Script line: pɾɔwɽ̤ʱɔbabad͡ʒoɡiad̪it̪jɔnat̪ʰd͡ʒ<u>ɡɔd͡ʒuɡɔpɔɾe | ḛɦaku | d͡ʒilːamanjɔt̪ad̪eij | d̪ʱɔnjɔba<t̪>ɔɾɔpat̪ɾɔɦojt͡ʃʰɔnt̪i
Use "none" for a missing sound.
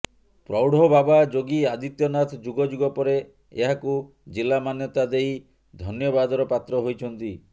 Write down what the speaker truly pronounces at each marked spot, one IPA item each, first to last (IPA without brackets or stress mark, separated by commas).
u, d̪